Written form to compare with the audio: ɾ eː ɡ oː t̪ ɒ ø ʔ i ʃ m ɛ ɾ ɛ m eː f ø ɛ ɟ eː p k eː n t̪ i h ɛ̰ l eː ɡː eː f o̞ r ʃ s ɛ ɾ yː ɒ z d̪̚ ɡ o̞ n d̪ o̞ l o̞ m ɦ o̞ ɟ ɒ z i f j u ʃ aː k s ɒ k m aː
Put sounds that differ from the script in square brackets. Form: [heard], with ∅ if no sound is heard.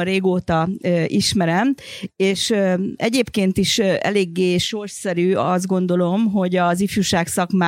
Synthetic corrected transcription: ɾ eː ɡ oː t̪ ɒ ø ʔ i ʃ m ɛ ɾ ɛ m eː [ʃ] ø ɛ ɟ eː p k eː n t̪ i [ʃ] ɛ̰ l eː ɡː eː [ʃ] o̞ r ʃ s ɛ ɾ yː ɒ z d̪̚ ɡ o̞ n d̪ o̞ l o̞ m ɦ o̞ ɟ ɒ z i f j u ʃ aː k s ɒ k m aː